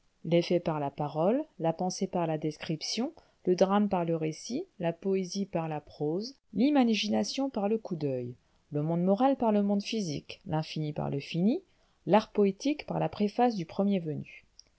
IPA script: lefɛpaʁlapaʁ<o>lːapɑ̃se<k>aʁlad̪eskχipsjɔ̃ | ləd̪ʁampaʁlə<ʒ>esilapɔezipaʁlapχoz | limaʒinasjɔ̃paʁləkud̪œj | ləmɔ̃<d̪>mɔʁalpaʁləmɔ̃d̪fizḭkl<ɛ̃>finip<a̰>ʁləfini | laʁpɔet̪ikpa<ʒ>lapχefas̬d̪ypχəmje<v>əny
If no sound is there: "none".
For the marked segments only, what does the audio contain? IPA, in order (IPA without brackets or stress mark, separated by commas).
ɔ, p, ʁ, d̪, ɛ̃, a̰, ʁ, v